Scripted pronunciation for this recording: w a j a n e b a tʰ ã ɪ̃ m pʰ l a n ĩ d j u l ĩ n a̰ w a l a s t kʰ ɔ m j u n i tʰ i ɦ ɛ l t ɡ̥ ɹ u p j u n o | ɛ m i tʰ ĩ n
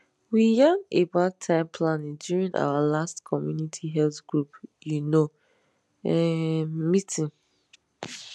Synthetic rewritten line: w i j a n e b a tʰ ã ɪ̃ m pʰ l a n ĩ d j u ɹ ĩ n a̰ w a l a s t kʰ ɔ m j u n i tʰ i ɦ ɛ l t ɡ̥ ɹ u p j u n o | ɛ m i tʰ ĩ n